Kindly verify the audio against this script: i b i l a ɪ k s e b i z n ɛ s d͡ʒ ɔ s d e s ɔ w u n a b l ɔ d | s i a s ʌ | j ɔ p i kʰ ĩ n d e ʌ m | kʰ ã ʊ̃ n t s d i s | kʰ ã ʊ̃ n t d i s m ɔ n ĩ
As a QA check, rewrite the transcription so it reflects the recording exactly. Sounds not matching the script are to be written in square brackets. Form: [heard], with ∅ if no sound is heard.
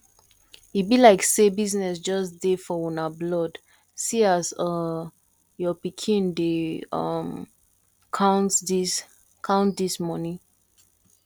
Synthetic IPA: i b i l a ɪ k s e b i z n ɛ s d͡ʒ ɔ s d e [f] ɔ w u n a b l ɔ d | s i a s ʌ | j ɔ p i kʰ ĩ n d e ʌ m | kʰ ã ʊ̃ n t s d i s | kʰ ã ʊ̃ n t d i s m ɔ n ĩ